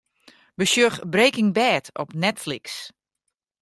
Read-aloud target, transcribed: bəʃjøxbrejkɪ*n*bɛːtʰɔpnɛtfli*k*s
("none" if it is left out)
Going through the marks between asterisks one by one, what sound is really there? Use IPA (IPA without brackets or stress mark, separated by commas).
ŋ, k